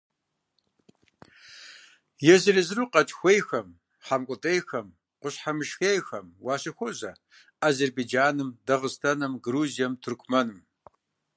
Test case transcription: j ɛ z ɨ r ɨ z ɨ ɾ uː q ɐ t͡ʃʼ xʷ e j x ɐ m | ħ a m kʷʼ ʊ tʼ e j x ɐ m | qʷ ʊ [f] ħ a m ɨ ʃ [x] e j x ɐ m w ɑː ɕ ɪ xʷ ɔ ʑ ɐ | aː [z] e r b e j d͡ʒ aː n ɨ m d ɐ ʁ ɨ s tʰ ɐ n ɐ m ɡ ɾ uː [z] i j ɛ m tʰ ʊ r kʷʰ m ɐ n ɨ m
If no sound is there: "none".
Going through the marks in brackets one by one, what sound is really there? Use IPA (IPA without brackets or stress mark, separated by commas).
ɕ, x, z, z